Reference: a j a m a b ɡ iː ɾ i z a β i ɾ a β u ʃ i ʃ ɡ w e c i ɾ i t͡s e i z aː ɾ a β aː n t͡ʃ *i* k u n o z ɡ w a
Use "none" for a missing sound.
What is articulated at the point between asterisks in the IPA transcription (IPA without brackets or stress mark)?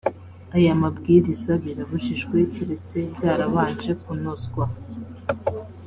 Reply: e